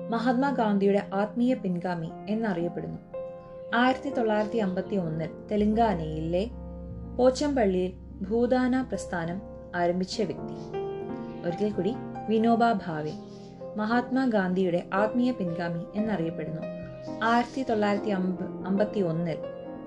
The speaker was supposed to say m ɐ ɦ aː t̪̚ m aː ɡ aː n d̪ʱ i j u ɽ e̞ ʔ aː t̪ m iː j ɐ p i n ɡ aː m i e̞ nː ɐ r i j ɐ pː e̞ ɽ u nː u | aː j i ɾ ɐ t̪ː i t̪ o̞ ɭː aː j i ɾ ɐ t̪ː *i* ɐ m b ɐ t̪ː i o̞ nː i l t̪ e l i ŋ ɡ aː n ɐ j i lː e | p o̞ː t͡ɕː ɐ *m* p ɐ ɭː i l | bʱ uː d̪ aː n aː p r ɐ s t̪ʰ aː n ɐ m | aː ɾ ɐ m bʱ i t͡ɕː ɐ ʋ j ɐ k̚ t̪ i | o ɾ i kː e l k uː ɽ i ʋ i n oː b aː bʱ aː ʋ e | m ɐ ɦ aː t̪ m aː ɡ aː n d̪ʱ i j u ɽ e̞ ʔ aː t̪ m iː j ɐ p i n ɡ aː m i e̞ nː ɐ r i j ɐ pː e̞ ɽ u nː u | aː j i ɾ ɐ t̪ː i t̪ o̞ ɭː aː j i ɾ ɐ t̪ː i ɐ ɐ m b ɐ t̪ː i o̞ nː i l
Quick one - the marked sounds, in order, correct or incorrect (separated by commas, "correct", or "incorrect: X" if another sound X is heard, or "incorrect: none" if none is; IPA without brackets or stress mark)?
correct, correct